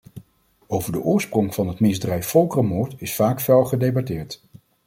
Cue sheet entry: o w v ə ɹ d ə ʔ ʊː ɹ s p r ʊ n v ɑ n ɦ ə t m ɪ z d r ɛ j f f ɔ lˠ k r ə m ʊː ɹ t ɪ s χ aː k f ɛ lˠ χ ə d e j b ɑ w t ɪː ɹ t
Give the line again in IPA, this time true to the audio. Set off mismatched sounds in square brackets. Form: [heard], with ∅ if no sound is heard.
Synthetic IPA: o w v ə ɹ d ə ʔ ʊː ɹ s p r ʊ [ŋ] v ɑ n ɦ ə t m ɪ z d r ɛ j f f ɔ lˠ k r ə m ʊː ɹ t ɪ s [f] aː k f ɛ lˠ χ ə d e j b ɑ [∅] t ɪː ɹ t

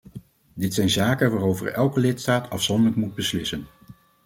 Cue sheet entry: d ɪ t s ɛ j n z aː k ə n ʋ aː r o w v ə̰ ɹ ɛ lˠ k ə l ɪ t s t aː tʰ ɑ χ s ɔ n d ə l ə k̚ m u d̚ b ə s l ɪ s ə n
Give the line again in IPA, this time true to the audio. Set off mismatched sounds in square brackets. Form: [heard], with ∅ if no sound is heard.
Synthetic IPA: d ɪ t s ɛ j n z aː k ə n ʋ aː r o w v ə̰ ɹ ɛ lˠ k ə l ɪ t s t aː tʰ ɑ [f] s ɔ n d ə l ə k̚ m u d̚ b ə s l ɪ s ə n

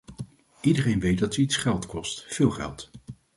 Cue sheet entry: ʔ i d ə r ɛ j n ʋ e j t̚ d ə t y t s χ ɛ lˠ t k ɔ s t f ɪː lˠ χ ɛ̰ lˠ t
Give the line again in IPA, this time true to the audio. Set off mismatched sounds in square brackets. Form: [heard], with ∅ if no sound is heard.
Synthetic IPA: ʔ i d ə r [e] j n ʋ e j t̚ d [ɑ] t [i] t s χ ɛ lˠ t k ɔ s t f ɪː lˠ χ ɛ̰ lˠ t

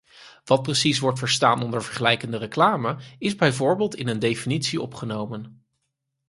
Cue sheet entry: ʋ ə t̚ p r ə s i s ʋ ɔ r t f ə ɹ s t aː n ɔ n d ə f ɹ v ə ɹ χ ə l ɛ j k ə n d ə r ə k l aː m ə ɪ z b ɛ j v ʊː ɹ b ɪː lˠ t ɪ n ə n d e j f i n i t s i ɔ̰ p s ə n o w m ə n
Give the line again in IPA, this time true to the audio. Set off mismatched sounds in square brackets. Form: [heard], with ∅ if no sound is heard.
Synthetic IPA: ʋ [ɑ] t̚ p r ə s i s ʋ ɔ [ɹ] t f ə ɹ s t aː n ɔ n d ə [∅] ɹ v ə ɹ χ ə l ɛ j k ə n d ə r ə k l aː m ə ɪ z b ɛ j v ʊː ɹ b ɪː lˠ t ɪ n ə n d e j f i n i t s i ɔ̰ p [χ] ə n o w m ə n

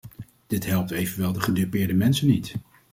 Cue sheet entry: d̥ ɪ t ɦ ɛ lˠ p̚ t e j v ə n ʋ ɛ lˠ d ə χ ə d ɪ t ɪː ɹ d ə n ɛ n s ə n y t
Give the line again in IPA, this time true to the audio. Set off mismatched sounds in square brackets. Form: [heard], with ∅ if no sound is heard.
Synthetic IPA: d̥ ɪ t ɦ ɛ lˠ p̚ t e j v ə n ʋ ɛ lˠ d ə χ ə d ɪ [p] ɪː ɹ d ə [m] ɛ n s ə n [i] t

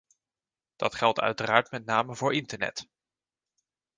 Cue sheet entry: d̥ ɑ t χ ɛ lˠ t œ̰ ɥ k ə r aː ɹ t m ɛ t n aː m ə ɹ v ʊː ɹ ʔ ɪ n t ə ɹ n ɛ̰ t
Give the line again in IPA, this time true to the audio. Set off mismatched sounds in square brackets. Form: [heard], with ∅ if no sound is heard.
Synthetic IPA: d̥ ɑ t χ ɛ lˠ t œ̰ ɥ [t] ə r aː ɹ t m ɛ t n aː m ə [∅] v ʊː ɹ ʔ ɪ n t ə ɹ n ɛ̰ t

